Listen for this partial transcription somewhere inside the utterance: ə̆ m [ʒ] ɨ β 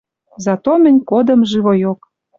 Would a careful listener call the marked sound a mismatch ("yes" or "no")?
no